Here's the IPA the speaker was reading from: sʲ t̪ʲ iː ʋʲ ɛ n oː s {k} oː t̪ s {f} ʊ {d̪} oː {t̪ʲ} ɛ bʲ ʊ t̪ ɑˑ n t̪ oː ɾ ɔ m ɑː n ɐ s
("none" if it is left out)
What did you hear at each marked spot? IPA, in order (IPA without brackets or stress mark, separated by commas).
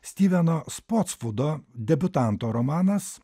p, f, d̪, d̪ʲ